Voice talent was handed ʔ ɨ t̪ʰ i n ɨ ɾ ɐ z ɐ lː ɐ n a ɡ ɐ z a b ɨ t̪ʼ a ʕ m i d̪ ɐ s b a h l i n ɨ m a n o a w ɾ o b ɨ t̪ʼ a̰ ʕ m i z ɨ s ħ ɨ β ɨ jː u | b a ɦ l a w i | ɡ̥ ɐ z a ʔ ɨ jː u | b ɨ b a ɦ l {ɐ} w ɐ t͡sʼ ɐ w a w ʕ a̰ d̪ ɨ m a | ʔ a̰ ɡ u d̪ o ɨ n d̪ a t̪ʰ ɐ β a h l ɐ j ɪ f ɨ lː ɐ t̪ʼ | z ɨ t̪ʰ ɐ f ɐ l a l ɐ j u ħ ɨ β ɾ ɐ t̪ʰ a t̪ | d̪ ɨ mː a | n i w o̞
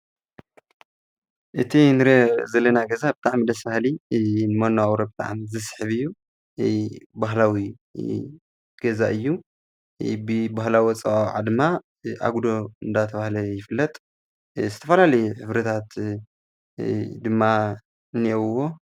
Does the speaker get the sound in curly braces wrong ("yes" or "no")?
yes